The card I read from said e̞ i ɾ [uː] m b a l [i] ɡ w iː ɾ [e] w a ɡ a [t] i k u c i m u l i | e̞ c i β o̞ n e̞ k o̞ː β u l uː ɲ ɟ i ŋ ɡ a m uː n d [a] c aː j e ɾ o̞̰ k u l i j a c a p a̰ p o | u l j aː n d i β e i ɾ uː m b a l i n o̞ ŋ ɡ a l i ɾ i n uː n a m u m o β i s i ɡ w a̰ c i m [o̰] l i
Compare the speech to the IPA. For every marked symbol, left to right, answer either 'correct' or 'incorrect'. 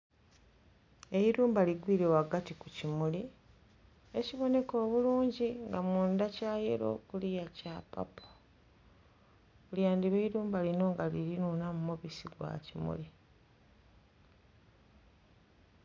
correct, correct, correct, correct, correct, incorrect

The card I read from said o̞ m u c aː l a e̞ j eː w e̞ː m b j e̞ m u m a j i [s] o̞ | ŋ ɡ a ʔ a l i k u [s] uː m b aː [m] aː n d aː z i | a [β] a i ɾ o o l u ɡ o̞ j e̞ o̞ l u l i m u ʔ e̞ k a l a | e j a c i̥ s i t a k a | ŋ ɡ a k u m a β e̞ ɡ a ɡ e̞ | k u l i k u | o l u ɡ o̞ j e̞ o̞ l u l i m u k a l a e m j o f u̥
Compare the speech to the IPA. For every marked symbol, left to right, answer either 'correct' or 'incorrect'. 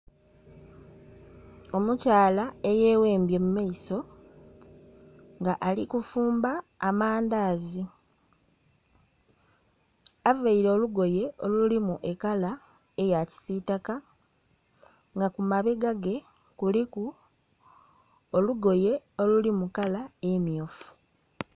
correct, incorrect, correct, incorrect

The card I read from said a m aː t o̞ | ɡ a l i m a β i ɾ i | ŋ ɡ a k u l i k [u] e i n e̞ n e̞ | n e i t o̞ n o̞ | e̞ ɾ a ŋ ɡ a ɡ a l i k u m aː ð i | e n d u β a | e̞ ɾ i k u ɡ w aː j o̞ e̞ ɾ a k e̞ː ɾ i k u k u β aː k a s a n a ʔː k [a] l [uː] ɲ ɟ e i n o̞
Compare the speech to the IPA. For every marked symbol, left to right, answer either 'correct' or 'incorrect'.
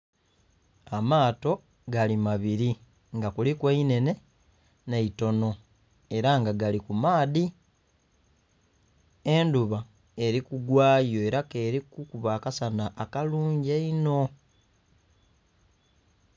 incorrect, correct, correct

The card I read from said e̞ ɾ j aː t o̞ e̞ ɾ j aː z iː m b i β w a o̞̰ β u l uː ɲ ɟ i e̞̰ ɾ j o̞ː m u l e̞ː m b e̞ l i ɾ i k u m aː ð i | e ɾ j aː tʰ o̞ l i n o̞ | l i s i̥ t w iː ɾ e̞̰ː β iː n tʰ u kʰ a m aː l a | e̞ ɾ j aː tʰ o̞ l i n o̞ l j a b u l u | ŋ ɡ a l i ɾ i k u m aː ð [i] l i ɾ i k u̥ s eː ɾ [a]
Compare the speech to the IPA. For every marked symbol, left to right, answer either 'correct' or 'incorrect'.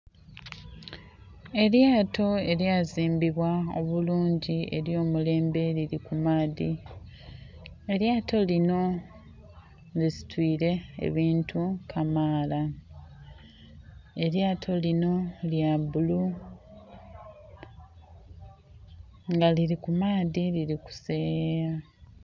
correct, correct

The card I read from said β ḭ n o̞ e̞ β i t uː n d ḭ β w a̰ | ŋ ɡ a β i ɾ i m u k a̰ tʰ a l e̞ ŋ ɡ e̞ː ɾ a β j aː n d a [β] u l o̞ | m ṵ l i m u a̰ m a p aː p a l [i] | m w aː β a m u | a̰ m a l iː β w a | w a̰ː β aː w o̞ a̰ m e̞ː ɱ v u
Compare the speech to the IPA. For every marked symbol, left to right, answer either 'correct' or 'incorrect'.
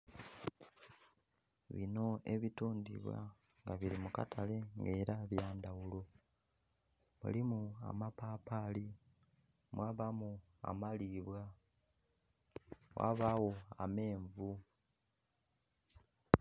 incorrect, correct

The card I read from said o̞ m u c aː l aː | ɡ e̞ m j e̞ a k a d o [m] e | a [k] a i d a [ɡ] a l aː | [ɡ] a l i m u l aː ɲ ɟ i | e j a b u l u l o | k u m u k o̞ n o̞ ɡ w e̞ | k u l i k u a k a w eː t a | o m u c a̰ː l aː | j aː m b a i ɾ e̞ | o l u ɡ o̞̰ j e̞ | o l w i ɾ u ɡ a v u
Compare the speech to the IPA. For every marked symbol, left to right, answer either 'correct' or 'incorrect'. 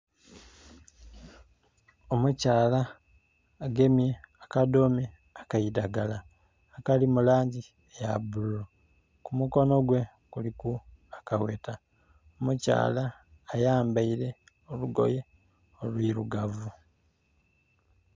correct, correct, correct, incorrect

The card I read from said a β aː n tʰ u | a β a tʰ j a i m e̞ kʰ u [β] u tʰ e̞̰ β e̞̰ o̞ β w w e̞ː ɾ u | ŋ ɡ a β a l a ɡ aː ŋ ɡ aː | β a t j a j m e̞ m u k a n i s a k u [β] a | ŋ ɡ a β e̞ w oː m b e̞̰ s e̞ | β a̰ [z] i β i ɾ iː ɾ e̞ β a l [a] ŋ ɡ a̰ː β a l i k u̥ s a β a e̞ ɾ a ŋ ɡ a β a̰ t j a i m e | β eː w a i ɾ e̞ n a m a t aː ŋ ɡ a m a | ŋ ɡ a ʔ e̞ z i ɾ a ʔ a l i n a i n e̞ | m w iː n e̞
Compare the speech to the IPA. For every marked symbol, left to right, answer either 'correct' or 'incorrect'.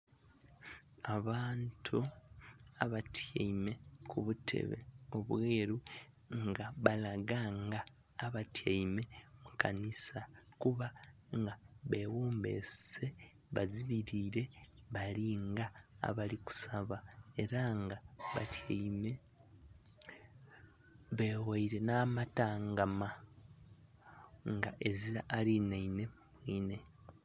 correct, correct, correct, incorrect

